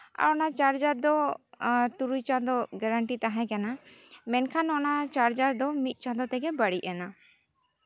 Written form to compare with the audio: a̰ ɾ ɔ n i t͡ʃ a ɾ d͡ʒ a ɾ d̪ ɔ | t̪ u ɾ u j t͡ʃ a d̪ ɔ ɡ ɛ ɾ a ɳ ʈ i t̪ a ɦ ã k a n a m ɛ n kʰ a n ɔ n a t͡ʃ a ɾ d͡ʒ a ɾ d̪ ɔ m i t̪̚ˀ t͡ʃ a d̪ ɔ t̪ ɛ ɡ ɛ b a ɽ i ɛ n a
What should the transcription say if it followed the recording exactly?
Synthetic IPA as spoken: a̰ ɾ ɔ n a t͡ʃ a ɾ d͡ʒ a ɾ d̪ ɔ | t̪ u ɾ u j t͡ʃ a d̪ ɔ ɡ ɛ ɾ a ɳ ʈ i t̪ a ɦ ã k a n a m ɛ n kʰ a n ɔ n a t͡ʃ a ɾ d͡ʒ a ɾ d̪ ɔ m i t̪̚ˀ t͡ʃ a d̪ ɔ t̪ ɛ ɡ ɛ b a ɽ i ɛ n a